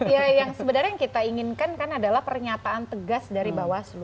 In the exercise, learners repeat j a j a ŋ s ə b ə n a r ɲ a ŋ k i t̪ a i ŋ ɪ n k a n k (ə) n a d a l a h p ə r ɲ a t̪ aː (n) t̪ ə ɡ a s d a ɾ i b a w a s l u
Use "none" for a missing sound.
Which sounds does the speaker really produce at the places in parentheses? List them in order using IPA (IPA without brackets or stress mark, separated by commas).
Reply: a, n